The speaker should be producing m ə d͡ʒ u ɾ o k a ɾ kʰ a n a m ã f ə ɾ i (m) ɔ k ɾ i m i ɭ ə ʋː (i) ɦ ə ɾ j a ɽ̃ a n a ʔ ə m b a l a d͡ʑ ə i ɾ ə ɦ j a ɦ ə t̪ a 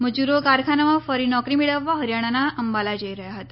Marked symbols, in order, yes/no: no, no

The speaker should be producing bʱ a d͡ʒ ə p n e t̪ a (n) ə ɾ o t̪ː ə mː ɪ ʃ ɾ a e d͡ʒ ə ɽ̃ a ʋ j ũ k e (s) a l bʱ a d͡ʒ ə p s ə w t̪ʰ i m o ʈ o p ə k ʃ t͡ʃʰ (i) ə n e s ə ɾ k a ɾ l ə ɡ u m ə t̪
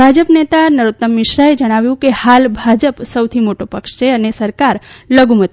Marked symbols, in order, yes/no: yes, no, no

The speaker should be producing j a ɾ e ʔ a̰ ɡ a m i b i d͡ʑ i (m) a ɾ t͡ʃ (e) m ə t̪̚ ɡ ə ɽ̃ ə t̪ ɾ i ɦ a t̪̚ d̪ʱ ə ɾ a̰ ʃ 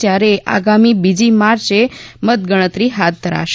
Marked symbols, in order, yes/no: yes, yes

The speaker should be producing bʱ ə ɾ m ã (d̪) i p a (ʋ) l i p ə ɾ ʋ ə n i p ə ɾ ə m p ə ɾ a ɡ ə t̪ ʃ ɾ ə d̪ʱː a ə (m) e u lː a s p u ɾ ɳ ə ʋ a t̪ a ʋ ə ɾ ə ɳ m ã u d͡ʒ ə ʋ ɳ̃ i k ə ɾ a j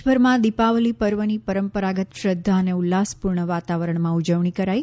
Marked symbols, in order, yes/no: yes, yes, no

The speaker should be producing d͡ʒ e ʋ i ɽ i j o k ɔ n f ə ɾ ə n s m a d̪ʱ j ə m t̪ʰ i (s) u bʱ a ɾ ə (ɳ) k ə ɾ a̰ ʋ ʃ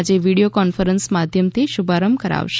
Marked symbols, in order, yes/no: no, no

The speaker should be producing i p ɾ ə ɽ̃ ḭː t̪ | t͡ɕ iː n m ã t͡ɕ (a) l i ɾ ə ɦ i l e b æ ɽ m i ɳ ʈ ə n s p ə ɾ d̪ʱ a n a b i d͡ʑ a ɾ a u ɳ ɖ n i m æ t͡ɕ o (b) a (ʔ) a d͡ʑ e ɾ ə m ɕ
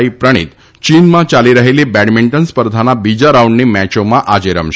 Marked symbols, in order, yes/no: yes, no, yes

